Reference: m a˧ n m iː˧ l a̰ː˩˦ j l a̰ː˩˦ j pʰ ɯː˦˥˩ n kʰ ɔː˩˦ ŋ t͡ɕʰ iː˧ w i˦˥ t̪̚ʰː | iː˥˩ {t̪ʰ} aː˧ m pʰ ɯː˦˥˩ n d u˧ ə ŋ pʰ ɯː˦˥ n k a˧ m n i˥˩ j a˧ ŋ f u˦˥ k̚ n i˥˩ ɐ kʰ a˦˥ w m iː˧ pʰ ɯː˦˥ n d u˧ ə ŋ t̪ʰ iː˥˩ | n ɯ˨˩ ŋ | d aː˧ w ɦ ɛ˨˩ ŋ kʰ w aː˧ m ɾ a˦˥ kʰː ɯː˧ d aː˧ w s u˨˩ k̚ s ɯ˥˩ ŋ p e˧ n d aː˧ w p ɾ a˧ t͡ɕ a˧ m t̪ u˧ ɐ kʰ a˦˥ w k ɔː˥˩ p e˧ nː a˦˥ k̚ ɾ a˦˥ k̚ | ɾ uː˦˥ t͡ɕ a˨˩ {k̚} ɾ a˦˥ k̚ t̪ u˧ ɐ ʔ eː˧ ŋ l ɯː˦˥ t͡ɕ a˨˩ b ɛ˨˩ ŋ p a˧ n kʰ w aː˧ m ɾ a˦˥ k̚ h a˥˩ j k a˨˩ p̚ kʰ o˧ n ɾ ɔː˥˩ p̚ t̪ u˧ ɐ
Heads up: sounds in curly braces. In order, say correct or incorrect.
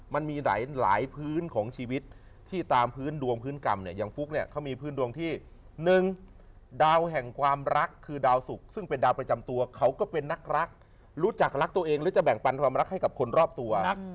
incorrect, correct

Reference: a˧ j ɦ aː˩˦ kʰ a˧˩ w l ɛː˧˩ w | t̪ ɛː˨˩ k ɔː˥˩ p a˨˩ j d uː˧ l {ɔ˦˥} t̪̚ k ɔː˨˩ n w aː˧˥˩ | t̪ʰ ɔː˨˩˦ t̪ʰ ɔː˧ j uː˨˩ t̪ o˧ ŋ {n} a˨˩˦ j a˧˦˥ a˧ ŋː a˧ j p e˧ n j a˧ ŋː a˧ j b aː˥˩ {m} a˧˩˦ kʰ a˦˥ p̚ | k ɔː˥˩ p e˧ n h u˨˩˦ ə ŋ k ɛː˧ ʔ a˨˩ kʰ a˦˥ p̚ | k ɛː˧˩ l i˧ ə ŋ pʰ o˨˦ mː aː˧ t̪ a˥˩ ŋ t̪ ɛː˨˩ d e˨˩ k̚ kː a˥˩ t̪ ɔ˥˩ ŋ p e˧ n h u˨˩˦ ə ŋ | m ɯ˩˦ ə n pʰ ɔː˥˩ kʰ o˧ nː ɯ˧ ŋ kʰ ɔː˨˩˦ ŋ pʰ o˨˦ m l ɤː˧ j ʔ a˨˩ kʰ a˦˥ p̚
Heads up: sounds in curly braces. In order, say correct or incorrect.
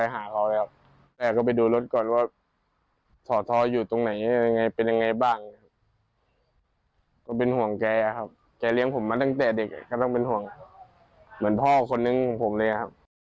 incorrect, correct, incorrect

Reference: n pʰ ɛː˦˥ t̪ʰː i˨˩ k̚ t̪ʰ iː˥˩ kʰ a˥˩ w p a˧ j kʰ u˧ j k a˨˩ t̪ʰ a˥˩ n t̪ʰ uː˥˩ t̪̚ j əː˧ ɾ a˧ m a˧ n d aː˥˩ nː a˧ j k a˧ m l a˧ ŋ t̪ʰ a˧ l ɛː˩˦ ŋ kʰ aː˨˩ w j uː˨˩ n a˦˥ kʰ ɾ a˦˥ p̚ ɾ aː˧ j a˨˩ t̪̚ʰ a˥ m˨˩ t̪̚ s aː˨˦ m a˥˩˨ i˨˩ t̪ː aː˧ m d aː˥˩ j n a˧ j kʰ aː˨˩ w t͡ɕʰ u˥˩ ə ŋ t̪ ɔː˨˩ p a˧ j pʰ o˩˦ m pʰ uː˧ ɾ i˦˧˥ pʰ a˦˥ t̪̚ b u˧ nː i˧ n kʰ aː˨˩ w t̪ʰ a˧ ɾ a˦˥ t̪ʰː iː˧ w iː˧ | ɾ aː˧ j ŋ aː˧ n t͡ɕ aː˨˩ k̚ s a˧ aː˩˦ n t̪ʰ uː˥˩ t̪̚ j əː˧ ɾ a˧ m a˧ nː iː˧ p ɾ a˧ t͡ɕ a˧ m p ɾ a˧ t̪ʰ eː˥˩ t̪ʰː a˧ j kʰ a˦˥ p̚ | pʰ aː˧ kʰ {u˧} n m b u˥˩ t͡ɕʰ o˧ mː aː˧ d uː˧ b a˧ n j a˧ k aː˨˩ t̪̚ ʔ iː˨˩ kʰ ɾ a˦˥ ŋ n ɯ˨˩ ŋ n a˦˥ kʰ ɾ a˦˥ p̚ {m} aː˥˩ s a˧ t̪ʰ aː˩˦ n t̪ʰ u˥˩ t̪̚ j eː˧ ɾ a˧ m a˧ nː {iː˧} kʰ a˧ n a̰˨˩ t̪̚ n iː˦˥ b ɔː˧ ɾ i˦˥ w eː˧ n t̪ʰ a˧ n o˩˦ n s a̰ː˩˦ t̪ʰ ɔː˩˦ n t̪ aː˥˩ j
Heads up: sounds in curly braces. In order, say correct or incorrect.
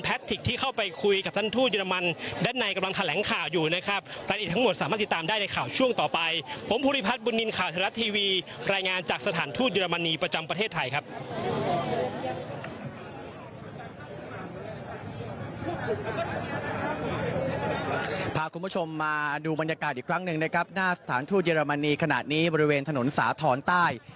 correct, incorrect, correct

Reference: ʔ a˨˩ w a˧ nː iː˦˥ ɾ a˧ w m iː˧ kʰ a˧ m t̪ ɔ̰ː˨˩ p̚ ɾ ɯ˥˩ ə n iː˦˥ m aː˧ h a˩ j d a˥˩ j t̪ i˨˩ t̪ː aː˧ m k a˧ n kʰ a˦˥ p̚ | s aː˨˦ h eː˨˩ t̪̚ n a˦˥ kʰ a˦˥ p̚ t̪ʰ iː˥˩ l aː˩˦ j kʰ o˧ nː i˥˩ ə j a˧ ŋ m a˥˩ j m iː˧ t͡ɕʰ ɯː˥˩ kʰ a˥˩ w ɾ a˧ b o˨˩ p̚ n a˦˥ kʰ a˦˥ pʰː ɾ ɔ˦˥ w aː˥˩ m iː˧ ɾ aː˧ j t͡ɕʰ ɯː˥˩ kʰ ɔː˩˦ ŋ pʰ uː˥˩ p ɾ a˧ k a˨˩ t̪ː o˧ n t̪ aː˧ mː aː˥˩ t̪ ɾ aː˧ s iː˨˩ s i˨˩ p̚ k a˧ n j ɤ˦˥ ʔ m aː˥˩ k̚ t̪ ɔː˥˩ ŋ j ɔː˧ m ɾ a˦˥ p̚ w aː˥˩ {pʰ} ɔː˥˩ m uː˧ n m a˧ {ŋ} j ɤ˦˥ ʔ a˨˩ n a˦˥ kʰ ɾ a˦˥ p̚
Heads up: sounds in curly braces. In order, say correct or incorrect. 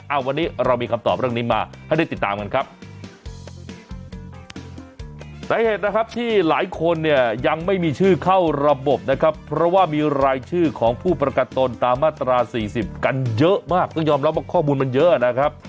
incorrect, incorrect

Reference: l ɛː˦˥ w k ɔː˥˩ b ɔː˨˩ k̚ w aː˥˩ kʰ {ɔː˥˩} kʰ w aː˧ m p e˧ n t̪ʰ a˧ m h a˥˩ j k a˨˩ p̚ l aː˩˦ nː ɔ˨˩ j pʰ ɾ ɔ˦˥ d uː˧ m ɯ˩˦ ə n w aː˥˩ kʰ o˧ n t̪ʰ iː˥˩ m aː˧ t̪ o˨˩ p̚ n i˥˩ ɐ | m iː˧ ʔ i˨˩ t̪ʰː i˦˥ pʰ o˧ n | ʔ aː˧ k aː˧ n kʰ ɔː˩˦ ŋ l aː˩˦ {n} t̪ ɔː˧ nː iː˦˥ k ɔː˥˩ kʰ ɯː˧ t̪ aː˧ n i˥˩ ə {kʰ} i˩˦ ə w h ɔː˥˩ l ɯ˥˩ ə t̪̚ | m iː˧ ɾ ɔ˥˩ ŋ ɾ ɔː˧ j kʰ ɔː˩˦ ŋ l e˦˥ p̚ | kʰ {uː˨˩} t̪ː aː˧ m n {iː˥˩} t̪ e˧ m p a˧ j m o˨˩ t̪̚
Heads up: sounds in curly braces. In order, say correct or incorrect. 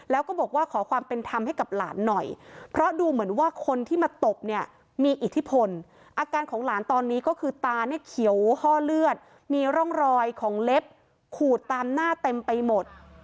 incorrect, correct, correct, correct, incorrect

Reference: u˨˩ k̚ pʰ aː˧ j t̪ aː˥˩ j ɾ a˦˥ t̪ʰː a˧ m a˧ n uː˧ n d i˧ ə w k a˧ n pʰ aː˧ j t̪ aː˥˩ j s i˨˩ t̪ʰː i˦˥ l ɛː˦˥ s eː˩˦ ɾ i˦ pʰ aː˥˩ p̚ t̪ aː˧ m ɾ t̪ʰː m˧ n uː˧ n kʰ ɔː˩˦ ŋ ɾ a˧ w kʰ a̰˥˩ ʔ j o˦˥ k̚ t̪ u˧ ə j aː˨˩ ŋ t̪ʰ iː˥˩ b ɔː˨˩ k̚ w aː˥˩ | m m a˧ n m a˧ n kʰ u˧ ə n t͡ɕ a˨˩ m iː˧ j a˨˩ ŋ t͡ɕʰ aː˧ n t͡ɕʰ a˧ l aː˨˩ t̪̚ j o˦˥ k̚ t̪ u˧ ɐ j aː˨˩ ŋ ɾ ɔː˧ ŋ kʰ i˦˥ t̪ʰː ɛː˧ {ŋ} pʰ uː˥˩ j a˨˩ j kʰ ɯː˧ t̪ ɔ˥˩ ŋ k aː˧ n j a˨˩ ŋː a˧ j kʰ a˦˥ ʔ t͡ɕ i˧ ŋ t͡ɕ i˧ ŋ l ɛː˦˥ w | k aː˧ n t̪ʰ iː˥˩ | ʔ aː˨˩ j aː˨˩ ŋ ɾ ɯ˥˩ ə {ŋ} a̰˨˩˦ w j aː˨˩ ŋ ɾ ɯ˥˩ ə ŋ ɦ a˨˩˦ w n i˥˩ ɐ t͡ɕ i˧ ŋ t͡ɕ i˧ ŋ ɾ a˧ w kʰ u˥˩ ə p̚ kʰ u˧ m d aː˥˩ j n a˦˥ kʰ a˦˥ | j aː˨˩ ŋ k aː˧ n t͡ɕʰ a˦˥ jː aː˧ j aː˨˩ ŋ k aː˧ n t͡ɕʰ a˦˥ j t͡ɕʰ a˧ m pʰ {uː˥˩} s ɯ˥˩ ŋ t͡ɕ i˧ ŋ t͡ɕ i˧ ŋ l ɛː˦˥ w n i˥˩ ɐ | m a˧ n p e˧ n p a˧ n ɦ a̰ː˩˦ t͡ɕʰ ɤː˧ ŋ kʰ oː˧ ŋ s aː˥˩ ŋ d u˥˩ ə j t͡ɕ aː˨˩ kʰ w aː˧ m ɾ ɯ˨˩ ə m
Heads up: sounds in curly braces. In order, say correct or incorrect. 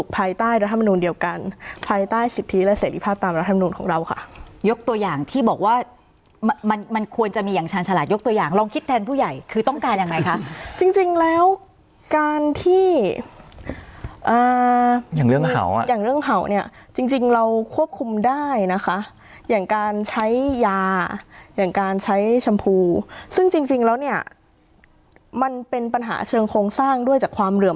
incorrect, correct, incorrect

